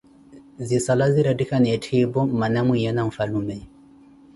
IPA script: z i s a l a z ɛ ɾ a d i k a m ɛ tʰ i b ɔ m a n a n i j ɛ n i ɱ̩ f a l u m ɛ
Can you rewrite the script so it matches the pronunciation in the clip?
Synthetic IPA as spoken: z i s a l a z i ɾ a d i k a n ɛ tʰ i b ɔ m a n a m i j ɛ n a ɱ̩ f a l u m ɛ

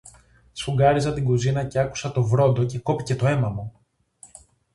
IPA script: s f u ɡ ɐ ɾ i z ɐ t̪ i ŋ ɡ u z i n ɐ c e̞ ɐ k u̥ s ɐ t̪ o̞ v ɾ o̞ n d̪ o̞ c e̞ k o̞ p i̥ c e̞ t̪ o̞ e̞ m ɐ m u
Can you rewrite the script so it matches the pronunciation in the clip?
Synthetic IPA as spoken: s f u ɡ ɐ ɾ i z ɐ t̪ i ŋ ɡ u z i n ɐ c e̞ ɐ k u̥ s ɐ t̪ o̞ v ɾ o̞ n d̪ o̞ c e̞ k o̞ p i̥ c e̞ t̪ o̞ e̞ m ɐ m u

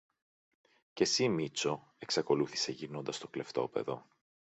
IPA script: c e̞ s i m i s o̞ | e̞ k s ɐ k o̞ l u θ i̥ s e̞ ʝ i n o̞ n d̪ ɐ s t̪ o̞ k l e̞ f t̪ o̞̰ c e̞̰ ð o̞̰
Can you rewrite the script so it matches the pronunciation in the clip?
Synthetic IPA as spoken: c e̞ s i m i t͡s o̞ | e̞ k s ɐ k o̞ l u θ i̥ s e̞ ʝ i n o̞ n d̪ ɐ s t̪ o̞ k l e̞ f t̪ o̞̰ p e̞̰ ð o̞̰

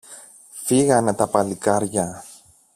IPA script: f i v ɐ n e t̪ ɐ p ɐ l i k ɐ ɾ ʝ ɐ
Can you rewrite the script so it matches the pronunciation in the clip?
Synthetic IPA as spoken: f i ɣ ɐ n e t̪ ɐ p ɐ l i k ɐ ɾ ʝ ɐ

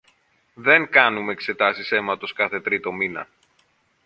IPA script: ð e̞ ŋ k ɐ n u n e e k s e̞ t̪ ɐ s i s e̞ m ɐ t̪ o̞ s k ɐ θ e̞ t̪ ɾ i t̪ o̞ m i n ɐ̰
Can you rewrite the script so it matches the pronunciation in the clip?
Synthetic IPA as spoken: ð e̞ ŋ k ɐ n u m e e k s e̞ t̪ ɐ s i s e̞ m ɐ t̪ o̞ s k ɐ θ e̞ t̪ ɾ i t̪ o̞ m i n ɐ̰

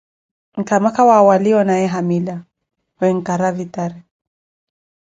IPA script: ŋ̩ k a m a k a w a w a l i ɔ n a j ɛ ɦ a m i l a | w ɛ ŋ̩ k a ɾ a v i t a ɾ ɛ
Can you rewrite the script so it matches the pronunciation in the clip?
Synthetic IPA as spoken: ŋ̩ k a m a k a w a w a l i ɔ n a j ɛ ɦ a m i l a | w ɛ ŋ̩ k a ɾ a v i t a ɾ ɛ

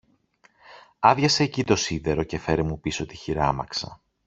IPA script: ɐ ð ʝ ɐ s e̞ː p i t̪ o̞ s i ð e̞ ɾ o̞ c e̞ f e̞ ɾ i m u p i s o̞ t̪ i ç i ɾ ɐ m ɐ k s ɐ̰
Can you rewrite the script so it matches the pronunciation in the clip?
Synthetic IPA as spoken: ɐ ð ʝ ɐ s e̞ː c i t̪ o̞ s i ð e̞ ɾ o̞ c e̞ f e̞ ɾ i m u p i s o̞ t̪ i ç i ɾ ɐ m ɐ k s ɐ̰

